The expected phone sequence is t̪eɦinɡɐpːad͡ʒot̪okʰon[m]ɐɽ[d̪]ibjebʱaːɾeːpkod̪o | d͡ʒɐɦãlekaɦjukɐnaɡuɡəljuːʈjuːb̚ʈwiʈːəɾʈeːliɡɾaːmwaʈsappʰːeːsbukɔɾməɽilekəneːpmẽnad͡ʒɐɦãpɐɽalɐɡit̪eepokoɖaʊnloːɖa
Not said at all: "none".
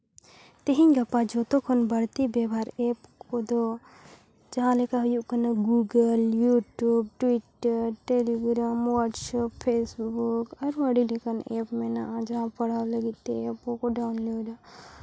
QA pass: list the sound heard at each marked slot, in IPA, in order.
b, t̪

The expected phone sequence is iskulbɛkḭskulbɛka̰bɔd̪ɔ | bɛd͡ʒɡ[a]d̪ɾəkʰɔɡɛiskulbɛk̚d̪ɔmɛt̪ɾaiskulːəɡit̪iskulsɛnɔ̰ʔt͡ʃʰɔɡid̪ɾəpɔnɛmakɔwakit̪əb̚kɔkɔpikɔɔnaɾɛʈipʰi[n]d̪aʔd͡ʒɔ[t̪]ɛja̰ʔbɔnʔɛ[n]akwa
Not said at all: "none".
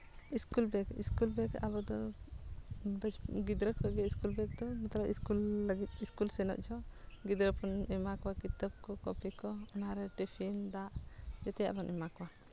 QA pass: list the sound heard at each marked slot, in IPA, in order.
i, n, t̪, m

